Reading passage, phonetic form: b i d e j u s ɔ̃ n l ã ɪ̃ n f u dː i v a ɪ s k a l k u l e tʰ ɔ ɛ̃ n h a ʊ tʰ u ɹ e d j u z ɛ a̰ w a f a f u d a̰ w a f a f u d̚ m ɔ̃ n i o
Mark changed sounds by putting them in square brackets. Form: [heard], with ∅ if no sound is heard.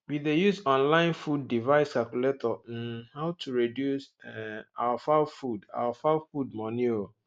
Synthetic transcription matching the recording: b i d e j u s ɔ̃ n l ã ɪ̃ n f u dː i v a ɪ s k a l k u l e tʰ ɔ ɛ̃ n h a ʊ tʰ u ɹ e d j u [s] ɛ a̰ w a f a f u d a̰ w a f a f u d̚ m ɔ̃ n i o